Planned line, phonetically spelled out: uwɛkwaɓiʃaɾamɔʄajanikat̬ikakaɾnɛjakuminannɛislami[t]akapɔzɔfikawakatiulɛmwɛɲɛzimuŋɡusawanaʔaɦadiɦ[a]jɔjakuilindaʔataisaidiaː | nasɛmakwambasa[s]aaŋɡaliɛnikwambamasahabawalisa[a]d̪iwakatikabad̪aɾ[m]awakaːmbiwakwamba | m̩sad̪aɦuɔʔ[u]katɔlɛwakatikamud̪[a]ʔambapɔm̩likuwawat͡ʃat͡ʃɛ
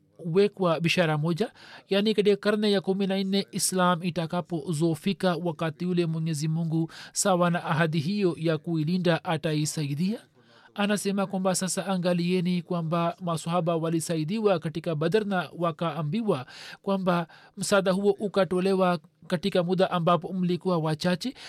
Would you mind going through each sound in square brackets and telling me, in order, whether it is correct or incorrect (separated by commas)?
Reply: correct, incorrect, correct, incorrect, incorrect, correct, correct